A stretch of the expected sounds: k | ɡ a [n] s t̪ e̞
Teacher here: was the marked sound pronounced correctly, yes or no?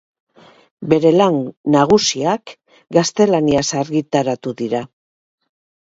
no